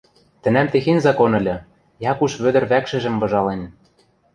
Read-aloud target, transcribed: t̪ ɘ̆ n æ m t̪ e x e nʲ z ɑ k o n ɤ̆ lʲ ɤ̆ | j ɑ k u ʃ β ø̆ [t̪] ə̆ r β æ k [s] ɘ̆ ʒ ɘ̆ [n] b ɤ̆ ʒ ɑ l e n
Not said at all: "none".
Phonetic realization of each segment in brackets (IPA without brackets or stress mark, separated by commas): d̪, ʃ, m